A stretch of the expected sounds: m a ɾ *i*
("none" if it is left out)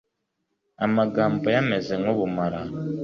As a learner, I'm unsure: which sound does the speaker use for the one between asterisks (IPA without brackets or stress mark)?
a